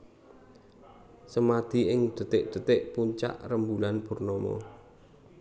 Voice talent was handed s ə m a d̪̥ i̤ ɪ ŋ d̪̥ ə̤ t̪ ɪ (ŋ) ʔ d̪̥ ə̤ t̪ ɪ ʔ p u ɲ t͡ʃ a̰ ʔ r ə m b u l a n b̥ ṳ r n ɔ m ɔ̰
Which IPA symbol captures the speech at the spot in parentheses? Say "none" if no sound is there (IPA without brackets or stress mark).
none